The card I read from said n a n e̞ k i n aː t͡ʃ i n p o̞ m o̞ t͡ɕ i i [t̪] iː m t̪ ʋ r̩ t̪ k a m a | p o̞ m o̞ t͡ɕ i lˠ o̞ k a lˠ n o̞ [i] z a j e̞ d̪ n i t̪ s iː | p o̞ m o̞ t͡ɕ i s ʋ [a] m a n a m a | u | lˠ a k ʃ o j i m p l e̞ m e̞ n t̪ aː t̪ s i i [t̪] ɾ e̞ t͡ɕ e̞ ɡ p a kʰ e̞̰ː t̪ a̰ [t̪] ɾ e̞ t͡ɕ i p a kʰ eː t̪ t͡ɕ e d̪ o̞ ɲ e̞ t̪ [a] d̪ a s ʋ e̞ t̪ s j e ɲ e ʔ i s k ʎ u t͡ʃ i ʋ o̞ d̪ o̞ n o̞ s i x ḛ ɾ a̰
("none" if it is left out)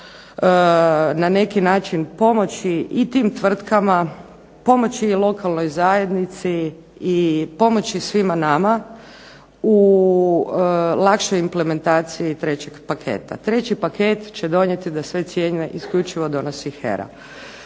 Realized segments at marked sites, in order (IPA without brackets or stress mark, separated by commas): t̪, j, i, t̪, t̪, i